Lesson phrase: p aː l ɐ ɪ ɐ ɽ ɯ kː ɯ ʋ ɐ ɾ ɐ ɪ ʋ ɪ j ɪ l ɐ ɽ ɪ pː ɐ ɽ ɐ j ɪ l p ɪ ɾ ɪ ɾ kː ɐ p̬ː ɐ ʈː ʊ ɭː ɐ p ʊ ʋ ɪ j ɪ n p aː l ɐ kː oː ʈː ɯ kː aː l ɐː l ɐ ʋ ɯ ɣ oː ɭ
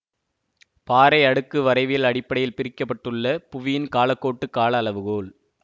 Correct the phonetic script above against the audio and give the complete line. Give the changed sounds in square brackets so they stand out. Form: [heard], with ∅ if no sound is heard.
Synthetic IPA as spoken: p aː [ɾ] ɐ ɪ ɐ ɽ ɯ kː ɯ ʋ ɐ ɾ ɐ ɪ ʋ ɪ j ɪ l ɐ ɽ ɪ pː ɐ ɽ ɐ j ɪ l p ɪ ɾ ɪ [∅] kː ɐ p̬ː ɐ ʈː [ɯ] ɭː ɐ p ʊ ʋ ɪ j ɪ n [k] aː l ɐ kː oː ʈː ɯ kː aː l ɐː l ɐ ʋ ɯ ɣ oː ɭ